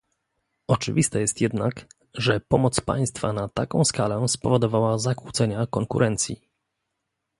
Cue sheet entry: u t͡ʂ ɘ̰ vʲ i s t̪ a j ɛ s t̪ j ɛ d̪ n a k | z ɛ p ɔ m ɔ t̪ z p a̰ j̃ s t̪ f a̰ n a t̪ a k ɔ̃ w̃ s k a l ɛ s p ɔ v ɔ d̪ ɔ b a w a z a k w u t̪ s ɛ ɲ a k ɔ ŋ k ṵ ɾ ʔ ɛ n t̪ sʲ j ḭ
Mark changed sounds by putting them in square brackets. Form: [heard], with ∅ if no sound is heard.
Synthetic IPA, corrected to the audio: [ɔ] t͡ʂ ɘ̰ vʲ i s t̪ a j ɛ s t̪ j ɛ d̪ n a k | [ʐ] ɛ p ɔ m ɔ t̪ [s] p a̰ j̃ s t̪ f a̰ n a t̪ a k ɔ̃ w̃ s k a l ɛ s p ɔ v ɔ d̪ ɔ [v] a w a z a k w u t̪ s ɛ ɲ a k ɔ ŋ k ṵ ɾ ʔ ɛ n t̪ sʲ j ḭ